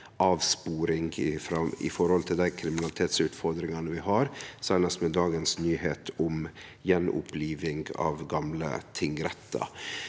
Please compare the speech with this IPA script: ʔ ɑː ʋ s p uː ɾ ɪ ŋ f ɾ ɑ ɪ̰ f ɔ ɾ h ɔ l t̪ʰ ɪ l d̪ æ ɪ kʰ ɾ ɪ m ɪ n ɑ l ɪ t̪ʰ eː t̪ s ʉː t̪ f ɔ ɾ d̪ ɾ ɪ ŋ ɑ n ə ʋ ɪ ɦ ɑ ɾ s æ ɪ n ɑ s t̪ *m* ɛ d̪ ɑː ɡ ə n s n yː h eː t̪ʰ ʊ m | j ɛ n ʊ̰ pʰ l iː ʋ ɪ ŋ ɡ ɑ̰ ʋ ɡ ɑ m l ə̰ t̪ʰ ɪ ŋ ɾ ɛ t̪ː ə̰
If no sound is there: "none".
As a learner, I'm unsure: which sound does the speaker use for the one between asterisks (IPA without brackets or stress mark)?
m